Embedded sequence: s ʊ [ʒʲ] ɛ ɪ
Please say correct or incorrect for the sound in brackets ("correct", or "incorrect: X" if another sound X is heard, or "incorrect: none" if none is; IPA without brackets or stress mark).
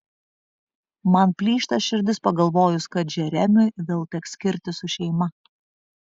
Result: incorrect: ʃʲ